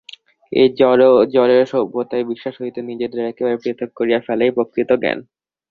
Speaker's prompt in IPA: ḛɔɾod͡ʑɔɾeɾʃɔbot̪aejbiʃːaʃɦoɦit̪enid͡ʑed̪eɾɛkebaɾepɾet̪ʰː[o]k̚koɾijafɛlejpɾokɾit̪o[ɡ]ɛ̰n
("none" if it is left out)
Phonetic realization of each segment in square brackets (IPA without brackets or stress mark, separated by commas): o, ɡ